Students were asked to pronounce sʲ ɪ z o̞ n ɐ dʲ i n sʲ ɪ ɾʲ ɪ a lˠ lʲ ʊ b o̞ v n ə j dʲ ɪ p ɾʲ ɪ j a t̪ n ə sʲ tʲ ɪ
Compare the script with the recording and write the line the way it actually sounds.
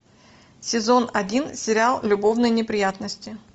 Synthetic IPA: sʲ ɪ z o̞ n ɐ dʲ i n sʲ ɪ ɾʲ ɪ a lˠ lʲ ʊ b o̞ v n ə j nʲ ɪ p ɾʲ ɪ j a t̪ n ə sʲ tʲ ɪ